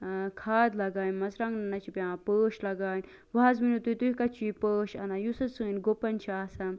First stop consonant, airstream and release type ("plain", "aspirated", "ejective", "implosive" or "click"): aspirated